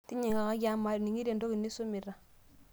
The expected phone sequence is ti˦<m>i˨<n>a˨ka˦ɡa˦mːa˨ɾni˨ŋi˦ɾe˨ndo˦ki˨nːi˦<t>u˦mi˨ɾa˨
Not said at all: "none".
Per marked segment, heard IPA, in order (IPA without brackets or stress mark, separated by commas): ɲ, ŋ, s